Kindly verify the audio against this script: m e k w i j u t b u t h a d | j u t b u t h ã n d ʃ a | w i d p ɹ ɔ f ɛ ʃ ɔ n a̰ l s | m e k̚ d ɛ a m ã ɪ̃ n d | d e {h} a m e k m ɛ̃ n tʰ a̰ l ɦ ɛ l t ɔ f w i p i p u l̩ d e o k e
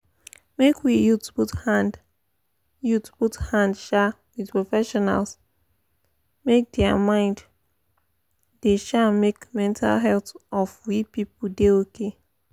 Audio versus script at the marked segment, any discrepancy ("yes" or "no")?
yes